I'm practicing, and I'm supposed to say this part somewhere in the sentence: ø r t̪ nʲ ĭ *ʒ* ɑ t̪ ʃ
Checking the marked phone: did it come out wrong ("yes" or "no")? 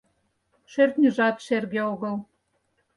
no